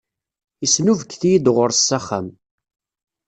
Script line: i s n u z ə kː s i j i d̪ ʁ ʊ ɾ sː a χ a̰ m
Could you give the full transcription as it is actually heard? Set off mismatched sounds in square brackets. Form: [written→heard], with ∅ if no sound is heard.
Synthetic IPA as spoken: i s n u [z→v] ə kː [s→θ] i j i d̪ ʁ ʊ ɾ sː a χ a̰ m